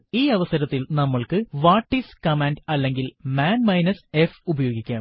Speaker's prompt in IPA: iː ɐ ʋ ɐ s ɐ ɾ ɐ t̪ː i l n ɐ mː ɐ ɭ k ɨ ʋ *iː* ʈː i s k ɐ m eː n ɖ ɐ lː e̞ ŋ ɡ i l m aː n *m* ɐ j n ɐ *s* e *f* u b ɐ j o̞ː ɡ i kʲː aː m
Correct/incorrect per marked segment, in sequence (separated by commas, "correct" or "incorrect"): incorrect, correct, correct, correct